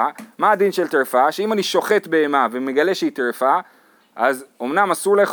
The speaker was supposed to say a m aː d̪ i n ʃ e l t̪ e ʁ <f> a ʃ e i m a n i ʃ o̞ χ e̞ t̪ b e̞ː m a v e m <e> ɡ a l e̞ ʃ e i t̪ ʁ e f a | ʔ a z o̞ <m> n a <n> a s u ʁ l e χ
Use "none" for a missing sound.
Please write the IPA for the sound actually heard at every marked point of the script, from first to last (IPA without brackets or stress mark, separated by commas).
f, e, m, m